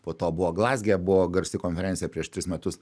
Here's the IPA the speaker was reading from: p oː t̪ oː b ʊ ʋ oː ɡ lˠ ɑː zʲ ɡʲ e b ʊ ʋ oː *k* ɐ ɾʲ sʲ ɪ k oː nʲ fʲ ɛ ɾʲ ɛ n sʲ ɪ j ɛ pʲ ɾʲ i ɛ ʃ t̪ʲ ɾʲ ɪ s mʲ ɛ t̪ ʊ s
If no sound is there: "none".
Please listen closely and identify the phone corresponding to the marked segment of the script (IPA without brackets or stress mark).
ɡ